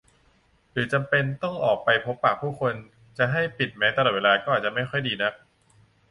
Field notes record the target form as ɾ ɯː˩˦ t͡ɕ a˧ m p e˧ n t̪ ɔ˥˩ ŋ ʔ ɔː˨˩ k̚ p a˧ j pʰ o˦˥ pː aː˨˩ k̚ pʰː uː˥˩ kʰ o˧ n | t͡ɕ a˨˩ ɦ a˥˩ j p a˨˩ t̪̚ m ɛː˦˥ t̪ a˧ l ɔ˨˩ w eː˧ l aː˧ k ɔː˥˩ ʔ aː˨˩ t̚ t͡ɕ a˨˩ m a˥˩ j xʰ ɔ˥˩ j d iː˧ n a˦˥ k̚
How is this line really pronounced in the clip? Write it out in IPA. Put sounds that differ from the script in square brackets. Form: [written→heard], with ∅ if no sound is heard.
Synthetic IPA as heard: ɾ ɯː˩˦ t͡ɕ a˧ m p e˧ n t̪ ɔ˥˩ ŋ ʔ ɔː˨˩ k̚ p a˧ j pʰ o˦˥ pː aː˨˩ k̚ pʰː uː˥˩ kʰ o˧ n | t͡ɕ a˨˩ ɦ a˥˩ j p [a˨˩→i˨˩] t̪̚ m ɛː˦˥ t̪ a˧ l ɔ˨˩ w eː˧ l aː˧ k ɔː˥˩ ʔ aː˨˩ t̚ t͡ɕ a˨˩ m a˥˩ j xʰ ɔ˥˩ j d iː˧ n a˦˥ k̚